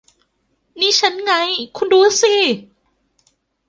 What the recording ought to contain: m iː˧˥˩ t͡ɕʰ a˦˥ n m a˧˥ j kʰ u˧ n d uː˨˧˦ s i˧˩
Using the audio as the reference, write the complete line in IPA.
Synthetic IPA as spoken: n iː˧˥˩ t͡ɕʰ a˦˥ n ŋ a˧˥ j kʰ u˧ n d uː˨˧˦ s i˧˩